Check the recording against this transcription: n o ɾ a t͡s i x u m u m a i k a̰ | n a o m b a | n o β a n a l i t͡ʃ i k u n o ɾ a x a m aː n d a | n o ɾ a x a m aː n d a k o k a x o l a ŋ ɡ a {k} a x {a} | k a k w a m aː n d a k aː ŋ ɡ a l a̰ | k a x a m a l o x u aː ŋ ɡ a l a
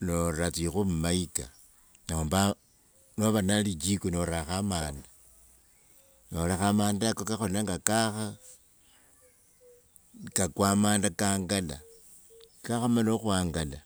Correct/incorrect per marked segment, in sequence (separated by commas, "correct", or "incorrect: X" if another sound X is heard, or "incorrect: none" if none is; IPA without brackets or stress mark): correct, correct